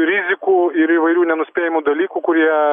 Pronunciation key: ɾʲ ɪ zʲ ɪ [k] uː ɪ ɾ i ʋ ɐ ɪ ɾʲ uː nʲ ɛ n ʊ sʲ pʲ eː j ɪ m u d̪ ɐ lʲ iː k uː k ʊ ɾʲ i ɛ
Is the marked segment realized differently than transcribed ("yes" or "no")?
no